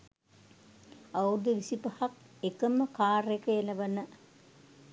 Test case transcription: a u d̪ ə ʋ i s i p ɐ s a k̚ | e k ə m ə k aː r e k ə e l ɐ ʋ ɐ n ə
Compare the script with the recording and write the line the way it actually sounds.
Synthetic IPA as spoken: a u d̪ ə ʋ i s i p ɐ h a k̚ | e k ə m ə k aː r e k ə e l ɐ ʋ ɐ n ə